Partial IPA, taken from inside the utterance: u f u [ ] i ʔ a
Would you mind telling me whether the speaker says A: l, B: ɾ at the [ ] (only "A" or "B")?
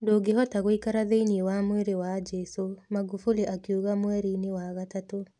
A